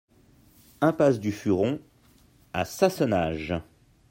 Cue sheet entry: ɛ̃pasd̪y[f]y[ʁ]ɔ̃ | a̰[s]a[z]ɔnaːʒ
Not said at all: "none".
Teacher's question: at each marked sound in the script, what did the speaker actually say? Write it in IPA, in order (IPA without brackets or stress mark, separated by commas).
f, ʁ, s, s